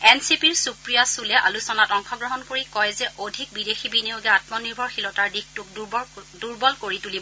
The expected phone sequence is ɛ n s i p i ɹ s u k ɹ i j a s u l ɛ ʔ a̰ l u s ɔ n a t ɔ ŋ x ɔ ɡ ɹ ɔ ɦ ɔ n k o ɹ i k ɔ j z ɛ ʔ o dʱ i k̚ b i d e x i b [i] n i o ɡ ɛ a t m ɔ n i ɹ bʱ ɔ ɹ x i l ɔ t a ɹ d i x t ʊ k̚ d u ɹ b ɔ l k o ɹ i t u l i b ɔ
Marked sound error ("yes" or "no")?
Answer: no